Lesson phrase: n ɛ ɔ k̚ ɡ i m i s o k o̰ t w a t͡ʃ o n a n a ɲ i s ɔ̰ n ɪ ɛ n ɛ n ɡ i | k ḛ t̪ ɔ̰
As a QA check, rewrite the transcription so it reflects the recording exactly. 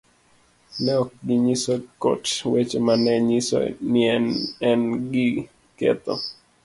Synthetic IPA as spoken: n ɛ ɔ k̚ ɡ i ɲ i s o k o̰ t w e t͡ʃ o m a n ɛ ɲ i s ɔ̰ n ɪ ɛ n ɛ n ɡ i | k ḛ t̪ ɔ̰